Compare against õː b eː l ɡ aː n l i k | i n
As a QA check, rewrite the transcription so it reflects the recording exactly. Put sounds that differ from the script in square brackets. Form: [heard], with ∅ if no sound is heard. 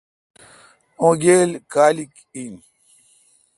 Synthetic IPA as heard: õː [ɡ] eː l [k] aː [∅] l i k | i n